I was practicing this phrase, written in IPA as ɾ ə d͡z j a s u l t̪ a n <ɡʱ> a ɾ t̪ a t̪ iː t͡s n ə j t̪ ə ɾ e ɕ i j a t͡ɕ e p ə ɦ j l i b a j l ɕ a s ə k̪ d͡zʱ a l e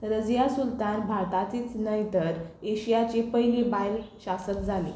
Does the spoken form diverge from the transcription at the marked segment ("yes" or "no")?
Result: yes